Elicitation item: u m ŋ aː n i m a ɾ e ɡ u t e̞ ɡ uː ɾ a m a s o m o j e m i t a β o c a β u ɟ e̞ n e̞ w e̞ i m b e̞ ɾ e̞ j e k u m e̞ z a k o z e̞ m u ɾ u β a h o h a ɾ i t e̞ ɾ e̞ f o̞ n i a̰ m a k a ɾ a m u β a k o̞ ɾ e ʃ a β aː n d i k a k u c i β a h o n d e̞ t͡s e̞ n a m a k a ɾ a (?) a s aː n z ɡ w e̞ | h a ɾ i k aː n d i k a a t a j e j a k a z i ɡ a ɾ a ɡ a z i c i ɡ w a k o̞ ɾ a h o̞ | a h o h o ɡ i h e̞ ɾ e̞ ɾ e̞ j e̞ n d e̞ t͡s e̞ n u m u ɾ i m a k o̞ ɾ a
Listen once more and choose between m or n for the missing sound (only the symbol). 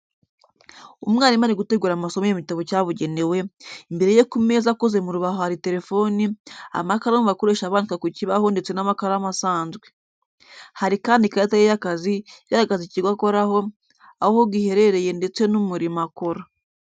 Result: m